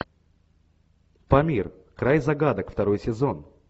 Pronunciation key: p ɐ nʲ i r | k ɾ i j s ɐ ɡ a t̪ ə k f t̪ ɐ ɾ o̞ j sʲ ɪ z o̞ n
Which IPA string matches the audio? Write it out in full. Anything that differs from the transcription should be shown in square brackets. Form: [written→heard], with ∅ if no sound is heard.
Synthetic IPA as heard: p ɐ [nʲ→mʲ] i r | k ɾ [i→a] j [s→z] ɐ ɡ a [t̪→d̪] ə k f t̪ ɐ ɾ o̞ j sʲ ɪ z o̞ n